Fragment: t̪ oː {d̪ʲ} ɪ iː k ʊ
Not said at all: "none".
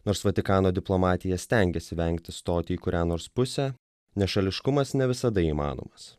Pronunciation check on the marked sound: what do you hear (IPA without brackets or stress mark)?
t̪ʲ